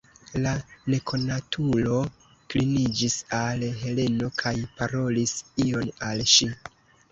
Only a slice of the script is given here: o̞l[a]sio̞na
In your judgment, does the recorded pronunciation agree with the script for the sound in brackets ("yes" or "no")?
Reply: no